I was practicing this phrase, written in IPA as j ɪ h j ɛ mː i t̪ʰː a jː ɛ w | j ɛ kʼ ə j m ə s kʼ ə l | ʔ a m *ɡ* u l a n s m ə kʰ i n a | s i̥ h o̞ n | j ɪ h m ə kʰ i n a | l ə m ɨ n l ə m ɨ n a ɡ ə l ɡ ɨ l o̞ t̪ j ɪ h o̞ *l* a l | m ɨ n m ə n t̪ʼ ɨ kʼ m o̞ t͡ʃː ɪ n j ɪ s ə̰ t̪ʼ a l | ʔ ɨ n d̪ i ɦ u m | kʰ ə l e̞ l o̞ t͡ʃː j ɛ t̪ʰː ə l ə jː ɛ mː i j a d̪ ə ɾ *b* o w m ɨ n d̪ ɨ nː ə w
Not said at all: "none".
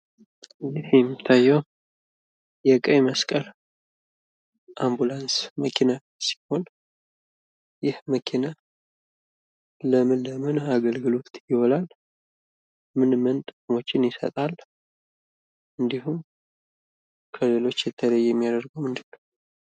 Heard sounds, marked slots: b, l, ɡ

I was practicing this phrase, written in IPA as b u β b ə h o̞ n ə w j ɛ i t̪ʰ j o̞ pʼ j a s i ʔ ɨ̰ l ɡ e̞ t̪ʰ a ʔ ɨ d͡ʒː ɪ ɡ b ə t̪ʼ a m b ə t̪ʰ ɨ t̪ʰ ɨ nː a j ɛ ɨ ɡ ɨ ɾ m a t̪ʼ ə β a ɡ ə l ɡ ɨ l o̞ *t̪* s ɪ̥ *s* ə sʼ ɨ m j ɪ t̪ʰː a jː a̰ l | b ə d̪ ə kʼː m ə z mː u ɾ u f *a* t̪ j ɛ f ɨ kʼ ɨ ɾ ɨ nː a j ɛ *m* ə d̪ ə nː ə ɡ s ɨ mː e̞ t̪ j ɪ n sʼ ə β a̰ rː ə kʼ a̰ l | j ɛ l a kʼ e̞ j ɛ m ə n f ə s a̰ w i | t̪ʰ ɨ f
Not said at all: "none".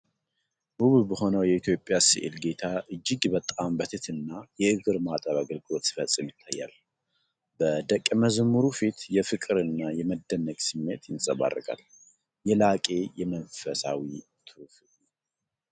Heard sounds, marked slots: t̪, f, i, m

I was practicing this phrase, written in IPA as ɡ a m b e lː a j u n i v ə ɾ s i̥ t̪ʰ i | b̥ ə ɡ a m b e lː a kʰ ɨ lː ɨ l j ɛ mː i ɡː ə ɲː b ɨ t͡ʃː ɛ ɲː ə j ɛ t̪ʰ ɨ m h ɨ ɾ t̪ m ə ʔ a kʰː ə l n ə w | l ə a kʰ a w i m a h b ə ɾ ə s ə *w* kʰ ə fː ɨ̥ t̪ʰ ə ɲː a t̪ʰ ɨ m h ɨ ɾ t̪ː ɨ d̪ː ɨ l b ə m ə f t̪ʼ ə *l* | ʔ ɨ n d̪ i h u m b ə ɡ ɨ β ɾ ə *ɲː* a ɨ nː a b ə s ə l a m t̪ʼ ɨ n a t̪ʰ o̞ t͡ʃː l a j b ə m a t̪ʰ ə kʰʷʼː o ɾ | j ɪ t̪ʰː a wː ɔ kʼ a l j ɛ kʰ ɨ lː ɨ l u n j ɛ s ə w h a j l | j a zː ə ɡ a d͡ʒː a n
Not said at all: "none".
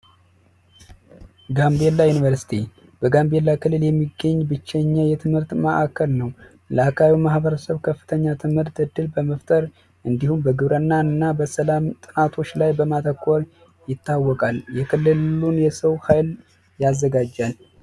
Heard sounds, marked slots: β, ɾ, nː

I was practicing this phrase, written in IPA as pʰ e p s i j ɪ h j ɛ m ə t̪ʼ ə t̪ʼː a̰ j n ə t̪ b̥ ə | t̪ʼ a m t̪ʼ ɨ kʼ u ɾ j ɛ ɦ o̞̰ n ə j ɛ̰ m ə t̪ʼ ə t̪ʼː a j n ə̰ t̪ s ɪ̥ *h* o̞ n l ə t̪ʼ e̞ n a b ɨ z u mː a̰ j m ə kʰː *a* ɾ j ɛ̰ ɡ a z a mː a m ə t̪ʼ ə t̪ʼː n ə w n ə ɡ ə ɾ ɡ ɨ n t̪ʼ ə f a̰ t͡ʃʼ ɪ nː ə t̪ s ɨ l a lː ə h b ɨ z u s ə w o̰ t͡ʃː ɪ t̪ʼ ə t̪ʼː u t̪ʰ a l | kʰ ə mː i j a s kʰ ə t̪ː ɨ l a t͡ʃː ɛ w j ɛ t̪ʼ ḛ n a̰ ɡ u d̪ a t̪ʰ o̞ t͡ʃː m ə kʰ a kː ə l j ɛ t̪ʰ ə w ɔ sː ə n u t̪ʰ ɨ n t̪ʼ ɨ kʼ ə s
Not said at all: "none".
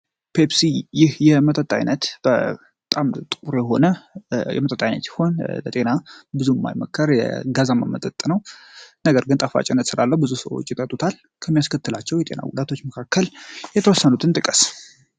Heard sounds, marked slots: h, ə

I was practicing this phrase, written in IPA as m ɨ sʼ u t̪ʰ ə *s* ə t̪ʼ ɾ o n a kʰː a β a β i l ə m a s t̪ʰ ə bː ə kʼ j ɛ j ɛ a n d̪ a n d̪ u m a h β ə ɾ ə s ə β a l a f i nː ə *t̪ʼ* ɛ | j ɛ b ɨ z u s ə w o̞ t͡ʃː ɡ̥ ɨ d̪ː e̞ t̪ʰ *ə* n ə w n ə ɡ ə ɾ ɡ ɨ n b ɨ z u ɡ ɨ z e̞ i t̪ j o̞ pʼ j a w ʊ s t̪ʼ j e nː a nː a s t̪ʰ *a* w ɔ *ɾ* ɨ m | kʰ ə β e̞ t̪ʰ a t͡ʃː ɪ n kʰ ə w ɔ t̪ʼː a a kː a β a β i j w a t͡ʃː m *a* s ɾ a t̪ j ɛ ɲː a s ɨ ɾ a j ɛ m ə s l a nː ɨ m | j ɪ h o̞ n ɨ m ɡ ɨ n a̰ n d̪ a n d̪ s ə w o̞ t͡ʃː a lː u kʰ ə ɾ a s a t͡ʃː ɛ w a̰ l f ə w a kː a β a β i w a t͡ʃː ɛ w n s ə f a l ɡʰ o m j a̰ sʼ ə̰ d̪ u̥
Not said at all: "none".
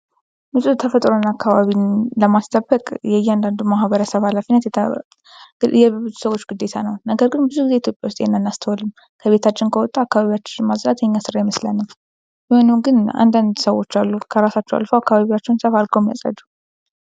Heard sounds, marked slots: f, t̪, a, ə, l, a

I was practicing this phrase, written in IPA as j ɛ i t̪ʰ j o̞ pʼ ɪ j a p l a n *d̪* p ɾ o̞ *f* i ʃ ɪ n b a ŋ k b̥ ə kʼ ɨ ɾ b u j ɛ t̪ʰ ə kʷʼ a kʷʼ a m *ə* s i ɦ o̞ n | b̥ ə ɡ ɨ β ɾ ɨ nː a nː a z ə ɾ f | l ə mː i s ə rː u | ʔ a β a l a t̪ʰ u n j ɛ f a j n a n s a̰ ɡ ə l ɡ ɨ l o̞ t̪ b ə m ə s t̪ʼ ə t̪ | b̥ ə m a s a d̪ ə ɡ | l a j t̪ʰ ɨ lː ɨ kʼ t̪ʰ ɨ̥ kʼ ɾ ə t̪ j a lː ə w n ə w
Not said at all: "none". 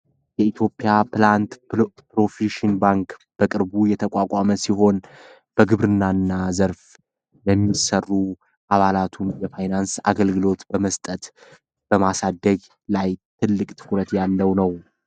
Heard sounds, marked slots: t̪, f, ə

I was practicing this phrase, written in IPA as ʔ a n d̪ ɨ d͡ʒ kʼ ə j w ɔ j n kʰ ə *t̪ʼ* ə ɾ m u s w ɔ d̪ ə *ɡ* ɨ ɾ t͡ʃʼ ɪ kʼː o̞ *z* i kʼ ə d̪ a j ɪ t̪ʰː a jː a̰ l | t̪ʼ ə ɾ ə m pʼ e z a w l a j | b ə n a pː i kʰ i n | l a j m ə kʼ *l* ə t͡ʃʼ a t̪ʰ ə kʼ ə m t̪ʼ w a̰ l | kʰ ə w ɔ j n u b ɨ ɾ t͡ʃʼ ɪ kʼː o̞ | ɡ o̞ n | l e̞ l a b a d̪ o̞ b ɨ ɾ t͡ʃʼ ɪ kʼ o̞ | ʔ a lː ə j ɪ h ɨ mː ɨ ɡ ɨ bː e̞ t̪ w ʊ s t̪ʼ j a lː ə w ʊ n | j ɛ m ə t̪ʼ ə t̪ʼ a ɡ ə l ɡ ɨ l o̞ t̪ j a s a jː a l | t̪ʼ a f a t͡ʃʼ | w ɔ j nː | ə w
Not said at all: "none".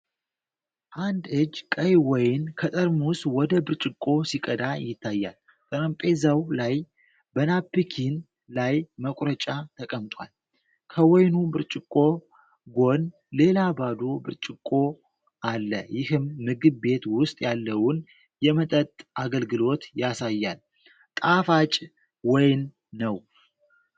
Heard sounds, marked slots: t̪ʼ, b, s, ɾ

